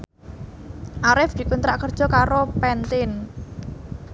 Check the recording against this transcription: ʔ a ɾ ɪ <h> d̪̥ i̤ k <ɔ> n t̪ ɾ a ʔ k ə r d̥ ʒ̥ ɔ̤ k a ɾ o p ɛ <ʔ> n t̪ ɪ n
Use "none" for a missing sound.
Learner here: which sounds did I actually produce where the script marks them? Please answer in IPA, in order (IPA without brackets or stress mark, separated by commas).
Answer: f, u, none